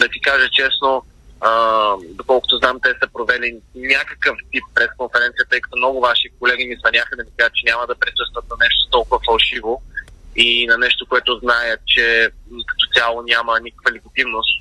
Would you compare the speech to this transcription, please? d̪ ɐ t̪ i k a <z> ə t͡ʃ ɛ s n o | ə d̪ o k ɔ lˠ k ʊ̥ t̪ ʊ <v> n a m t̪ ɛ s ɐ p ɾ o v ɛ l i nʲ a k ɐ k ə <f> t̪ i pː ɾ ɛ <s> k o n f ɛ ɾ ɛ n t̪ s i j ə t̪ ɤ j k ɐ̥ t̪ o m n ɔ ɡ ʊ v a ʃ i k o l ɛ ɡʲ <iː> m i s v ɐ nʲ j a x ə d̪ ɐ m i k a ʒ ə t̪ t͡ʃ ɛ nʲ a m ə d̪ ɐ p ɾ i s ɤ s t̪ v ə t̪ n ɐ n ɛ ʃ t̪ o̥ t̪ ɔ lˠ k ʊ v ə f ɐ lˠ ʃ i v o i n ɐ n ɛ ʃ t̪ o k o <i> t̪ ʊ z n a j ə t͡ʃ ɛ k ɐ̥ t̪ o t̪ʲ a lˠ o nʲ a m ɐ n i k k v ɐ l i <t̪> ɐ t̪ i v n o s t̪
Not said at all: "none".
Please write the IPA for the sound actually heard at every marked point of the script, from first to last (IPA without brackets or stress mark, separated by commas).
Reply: ʒ, z, f, s, i, ɛ, t̪